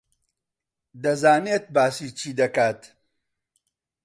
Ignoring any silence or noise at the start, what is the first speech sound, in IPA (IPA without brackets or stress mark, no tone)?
d̪